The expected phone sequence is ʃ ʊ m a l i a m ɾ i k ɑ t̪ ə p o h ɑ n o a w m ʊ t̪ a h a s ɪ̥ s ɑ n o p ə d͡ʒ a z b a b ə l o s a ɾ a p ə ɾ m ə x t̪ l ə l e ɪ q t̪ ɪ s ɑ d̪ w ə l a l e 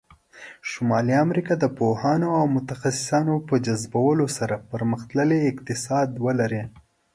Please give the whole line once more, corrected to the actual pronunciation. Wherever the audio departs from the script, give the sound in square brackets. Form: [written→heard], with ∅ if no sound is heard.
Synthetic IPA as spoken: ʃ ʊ m [a→ɑ] l i a m ɾ i k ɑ [t̪→d̪] ə p o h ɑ n o a w m ʊ t̪ a [h→x] a s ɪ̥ s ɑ n o p ə d͡ʒ a z b a [b→w] ə l o s a ɾ a p ə ɾ m ə x t̪ l ə l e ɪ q t̪ ɪ s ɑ d̪ w ə l a [l→ɾ] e